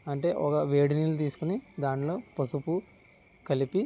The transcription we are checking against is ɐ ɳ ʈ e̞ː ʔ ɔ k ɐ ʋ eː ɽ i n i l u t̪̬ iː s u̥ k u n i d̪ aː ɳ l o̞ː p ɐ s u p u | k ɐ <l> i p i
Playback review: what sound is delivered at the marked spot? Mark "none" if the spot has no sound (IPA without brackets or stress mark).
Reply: l